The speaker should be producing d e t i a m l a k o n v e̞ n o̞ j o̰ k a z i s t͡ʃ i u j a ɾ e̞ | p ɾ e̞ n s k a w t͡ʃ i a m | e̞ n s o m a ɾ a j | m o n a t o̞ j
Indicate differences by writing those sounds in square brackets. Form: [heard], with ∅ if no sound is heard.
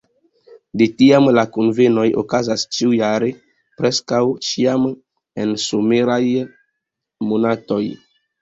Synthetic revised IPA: d e t i a m l a k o n v e̞ n o̞ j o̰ k a z [a] s t͡ʃ i u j a ɾ e̞ | p ɾ e̞ [∅] s k a w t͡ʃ i a m | e̞ n s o m [e] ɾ a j | m o n a t o̞ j

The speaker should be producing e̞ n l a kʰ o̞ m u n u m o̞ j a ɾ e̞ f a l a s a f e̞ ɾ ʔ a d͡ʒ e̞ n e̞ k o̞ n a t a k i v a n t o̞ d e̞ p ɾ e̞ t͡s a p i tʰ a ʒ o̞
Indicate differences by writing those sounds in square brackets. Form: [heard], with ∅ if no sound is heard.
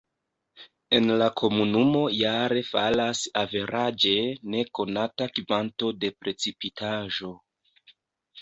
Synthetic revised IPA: e̞ n l a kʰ o̞ m u n u m o̞ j a ɾ e̞ f a l a s a [v] e̞ ɾ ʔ a d͡ʒ e̞ n e̞ k o̞ n a t a k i v a n t o̞ d e̞ p ɾ e̞ t͡s [i] p i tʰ a ʒ o̞

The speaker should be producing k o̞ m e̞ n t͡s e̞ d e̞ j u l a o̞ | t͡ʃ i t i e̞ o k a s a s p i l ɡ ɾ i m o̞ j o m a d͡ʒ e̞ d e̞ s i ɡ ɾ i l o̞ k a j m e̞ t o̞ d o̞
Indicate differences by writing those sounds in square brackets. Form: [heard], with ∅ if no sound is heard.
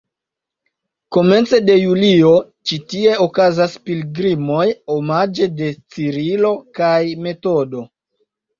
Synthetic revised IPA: k o̞ m e̞ n t͡s e̞ d e̞ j u l [i] o̞ | t͡ʃ i t i e̞ o k a [z] a s p i l ɡ ɾ i m o̞ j o m a d͡ʒ e̞ d e̞ [t͡s] i [∅] ɾ i l o̞ k a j m e̞ t o̞ d o̞

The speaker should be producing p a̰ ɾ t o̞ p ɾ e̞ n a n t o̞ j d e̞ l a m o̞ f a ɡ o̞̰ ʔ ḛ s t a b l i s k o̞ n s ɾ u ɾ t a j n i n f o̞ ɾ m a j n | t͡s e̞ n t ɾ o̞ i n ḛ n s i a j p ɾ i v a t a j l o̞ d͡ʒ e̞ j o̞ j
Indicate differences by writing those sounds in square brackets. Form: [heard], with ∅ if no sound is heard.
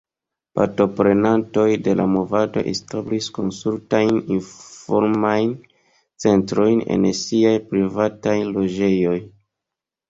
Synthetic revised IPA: p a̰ ɾ t o̞ p ɾ e̞ n a n t o̞ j d e̞ l a m o̞ [v] a [d] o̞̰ ʔ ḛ s t a b l i s k o̞ n s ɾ u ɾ t a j n i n f o̞ ɾ m a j n | t͡s e̞ n t ɾ o̞ [j] n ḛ n s i a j p ɾ i v a t a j l o̞ d͡ʒ e̞ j o̞ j

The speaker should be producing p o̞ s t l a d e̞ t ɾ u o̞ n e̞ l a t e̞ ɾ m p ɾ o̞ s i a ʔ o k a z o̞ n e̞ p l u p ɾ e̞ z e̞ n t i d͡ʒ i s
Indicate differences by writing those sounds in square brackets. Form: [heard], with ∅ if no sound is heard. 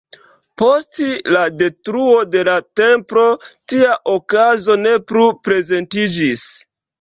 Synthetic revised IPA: p o̞ s t l a d e̞ t ɾ u o̞ [d] e̞ l a t e̞ [∅] m p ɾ o̞ [t] i a ʔ o k a z o̞ n e̞ p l u p ɾ e̞ z e̞ n t i d͡ʒ i s

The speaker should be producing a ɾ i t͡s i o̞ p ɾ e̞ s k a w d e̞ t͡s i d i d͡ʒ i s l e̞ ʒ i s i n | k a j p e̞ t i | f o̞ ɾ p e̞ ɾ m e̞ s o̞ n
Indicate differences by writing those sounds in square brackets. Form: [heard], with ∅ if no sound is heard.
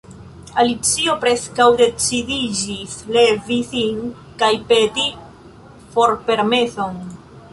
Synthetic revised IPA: a [l] i t͡s i o̞ p ɾ e̞ s k a w d e̞ t͡s i d i d͡ʒ i s l e̞ [v] i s i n | k a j p e̞ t i | f o̞ ɾ p e̞ ɾ m e̞ s o̞ n

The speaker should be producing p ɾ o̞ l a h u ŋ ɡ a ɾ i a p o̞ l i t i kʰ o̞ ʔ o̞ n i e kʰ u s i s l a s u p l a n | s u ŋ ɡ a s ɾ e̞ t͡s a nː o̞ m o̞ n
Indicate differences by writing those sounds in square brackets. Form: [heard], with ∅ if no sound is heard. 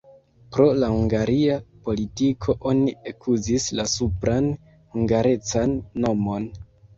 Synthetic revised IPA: p ɾ o̞ l a h u ŋ ɡ a ɾ i a p o̞ l i t i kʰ o̞ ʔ o̞ n i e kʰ u [z] i s l a s u p [ɾ] a n | [h] u ŋ ɡ a [∅] ɾ e̞ t͡s a nː o̞ m o̞ n

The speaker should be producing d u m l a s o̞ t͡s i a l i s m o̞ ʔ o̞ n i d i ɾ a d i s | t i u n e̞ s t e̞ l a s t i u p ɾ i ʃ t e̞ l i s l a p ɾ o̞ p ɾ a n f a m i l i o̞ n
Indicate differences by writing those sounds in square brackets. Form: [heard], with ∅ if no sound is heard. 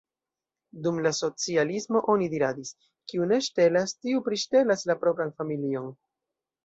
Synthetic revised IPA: d u m l a s o̞ t͡s i a l i s m o̞ ʔ o̞ n i d i ɾ a d i s | [k] i u n e̞ [ʃ] t e̞ l a s t i u p ɾ i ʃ t e̞ l [a] s l a p ɾ o̞ p ɾ a n f a m i l i o̞ n

